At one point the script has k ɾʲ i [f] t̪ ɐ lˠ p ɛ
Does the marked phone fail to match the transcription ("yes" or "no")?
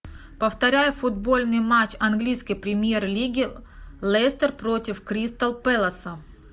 yes